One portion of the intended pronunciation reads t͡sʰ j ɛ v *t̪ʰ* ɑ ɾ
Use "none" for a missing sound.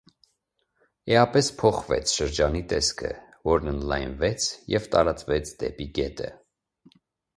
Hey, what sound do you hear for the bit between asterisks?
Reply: t̪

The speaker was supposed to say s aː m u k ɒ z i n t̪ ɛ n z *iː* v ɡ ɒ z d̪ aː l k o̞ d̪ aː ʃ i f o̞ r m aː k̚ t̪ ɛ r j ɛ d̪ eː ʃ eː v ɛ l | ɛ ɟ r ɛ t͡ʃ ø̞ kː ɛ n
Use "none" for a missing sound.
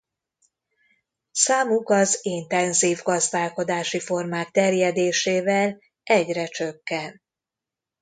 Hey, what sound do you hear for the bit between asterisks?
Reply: iː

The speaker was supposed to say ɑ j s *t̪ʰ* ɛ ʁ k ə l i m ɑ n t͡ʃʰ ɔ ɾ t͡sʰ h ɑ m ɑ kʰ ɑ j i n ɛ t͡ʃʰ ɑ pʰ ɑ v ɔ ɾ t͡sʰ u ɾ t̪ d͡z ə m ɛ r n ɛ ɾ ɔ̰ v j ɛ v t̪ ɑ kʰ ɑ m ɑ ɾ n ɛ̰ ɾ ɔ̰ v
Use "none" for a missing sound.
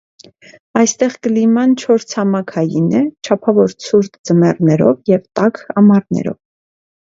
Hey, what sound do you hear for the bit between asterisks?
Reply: t̪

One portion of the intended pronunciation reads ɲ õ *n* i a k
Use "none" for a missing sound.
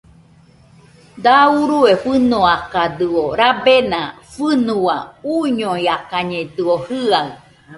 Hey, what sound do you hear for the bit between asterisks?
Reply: none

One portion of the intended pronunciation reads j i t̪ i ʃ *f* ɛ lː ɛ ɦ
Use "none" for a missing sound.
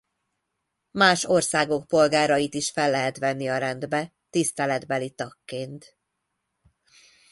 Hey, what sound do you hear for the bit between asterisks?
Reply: f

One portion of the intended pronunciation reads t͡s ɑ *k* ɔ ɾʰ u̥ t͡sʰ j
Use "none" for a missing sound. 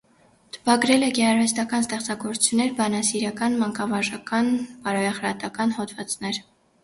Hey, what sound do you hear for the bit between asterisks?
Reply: ɡ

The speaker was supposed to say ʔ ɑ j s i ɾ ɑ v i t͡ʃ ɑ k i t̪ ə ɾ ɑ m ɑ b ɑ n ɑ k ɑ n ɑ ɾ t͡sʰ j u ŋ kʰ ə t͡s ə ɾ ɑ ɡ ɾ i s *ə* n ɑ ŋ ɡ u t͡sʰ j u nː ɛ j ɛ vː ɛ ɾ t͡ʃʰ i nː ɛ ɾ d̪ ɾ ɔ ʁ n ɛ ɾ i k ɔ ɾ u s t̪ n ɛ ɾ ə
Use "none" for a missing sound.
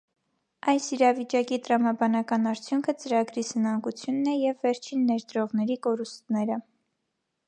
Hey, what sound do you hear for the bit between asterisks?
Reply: ə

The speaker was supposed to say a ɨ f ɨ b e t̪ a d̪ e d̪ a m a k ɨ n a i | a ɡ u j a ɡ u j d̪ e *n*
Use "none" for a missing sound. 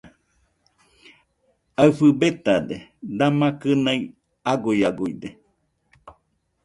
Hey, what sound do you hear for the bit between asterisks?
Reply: none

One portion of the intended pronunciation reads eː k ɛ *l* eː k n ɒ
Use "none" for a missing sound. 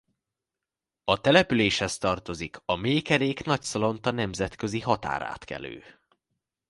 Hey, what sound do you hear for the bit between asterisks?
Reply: ɾ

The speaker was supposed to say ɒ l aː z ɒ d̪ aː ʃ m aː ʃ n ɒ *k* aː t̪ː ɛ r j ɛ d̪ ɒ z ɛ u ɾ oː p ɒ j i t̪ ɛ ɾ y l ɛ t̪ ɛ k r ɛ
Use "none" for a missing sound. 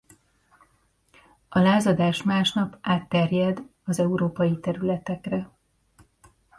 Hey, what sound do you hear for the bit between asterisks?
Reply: p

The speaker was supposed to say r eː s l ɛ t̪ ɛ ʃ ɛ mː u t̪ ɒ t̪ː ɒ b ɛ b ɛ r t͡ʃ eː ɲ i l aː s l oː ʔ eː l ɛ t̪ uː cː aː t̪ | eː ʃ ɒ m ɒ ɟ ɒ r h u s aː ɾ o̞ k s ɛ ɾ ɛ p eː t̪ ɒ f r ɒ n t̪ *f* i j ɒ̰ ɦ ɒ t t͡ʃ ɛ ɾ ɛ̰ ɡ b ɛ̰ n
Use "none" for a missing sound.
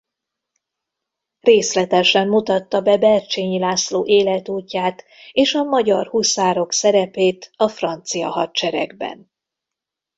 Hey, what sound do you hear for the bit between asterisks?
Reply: s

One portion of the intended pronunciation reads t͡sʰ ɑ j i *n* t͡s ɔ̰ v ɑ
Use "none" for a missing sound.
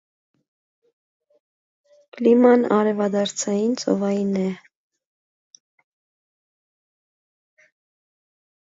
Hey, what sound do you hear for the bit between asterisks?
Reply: n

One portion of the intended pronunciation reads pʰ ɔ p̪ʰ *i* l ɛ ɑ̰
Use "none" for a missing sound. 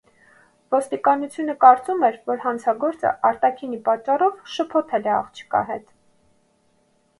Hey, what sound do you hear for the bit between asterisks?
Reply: ɛ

